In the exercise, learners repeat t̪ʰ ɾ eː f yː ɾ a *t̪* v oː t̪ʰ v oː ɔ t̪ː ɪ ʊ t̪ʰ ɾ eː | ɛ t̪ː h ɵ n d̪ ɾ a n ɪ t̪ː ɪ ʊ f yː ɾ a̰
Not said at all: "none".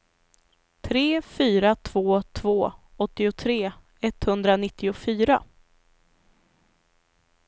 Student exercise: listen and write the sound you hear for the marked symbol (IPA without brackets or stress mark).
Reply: t̪ʰ